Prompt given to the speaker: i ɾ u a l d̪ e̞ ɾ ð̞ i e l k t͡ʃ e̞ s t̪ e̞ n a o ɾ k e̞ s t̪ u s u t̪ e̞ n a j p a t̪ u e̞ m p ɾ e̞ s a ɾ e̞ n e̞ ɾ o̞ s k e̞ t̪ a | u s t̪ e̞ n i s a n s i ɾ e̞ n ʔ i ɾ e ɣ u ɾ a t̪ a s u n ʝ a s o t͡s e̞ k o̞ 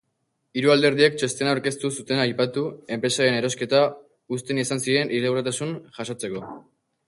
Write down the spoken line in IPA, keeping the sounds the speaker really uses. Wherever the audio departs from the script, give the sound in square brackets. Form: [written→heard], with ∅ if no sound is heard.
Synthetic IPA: i ɾ u a l d̪ e̞ ɾ ð̞ i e [l→∅] k t͡ʃ e̞ s t̪ e̞ n a o ɾ k e̞ s t̪ u s u t̪ e̞ n a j p a t̪ u e̞ m p ɾ e̞ s a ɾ e̞ n e̞ ɾ o̞ s k e̞ t̪ a | u s t̪ e̞ n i s a n s i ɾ e̞ n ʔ i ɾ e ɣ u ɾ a t̪ a s u n ʝ a s o t͡s e̞ k o̞